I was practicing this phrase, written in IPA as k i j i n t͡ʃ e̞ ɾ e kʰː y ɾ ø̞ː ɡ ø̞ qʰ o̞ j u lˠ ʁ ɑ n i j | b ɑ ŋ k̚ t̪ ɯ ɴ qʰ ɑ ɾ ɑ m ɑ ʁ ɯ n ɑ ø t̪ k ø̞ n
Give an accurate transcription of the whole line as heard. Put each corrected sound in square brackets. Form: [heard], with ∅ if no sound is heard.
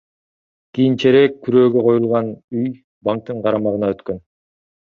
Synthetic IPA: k i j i n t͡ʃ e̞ ɾ e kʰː y ɾ ø̞ː ɡ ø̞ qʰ o̞ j u lˠ ʁ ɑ n [y] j | b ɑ ŋ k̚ t̪ ɯ ɴ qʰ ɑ ɾ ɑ m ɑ ʁ ɯ n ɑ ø t̪ k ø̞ n